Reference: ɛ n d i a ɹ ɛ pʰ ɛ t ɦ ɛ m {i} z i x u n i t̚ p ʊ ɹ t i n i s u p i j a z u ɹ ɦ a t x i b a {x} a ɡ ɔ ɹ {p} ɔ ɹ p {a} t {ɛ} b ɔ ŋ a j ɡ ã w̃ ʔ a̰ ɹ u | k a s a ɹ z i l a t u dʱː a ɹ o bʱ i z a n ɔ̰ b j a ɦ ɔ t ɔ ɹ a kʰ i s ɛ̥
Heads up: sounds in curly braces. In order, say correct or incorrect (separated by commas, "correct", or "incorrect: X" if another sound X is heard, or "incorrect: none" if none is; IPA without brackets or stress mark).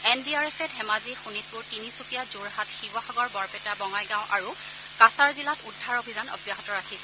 incorrect: a, correct, incorrect: b, incorrect: ɛ, incorrect: a